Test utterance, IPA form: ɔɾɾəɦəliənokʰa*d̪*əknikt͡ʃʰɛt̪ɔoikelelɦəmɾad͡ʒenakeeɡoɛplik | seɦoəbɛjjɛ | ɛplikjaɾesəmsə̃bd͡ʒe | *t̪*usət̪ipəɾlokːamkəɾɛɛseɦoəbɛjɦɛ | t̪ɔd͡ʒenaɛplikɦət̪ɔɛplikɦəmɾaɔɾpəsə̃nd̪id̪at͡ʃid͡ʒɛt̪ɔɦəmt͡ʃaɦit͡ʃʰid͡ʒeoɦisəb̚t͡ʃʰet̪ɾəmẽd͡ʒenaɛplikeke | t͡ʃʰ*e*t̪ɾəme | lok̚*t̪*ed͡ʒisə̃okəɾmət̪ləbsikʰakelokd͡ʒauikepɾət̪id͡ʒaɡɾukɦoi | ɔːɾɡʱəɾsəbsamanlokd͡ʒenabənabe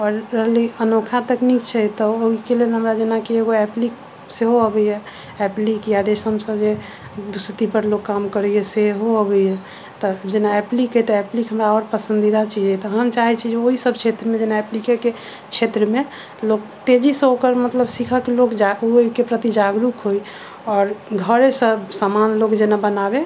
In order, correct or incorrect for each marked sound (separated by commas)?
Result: incorrect, incorrect, correct, correct